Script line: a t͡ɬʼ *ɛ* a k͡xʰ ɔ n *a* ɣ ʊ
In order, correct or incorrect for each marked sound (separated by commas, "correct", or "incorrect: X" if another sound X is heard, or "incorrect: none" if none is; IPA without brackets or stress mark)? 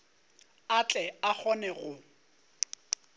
correct, incorrect: ɛ